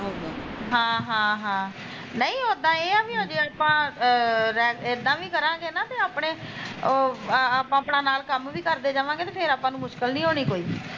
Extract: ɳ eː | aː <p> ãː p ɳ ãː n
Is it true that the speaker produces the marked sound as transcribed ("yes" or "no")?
yes